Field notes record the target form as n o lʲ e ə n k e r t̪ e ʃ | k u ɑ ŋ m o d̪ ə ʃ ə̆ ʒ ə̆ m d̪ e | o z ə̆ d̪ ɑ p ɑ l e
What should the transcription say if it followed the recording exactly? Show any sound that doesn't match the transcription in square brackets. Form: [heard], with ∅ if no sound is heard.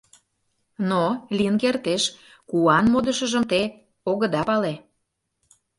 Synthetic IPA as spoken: n o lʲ [i] ə n k e r t̪ e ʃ | k u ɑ [n] m o d̪ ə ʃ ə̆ ʒ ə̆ m [t̪] e | o [ɣ] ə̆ d̪ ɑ p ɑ l e